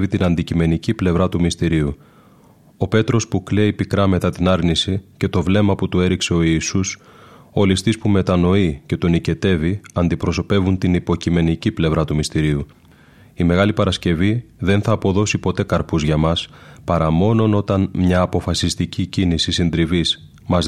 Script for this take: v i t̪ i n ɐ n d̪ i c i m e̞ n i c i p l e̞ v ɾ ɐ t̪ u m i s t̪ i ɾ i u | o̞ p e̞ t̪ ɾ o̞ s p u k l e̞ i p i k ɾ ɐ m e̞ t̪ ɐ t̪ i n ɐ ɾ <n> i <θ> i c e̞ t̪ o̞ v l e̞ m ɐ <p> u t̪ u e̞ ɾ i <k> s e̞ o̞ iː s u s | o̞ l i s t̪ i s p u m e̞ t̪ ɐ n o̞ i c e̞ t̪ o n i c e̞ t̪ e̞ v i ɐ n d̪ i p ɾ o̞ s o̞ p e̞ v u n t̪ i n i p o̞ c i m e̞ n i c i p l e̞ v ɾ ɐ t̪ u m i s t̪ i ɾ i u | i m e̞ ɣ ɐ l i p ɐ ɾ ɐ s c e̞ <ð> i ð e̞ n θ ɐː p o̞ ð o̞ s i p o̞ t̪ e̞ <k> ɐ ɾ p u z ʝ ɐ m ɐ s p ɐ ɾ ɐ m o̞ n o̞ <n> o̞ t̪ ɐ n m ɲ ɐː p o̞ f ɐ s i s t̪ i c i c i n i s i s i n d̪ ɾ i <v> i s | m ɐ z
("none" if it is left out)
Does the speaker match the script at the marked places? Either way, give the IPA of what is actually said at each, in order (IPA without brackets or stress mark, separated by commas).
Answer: n, s, p, k, v, k, n, v